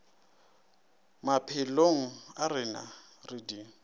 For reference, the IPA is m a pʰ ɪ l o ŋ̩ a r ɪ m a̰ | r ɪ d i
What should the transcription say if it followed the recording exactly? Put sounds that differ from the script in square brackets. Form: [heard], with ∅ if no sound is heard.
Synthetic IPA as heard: m a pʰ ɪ l o ŋ̩ a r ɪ [n] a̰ | r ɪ d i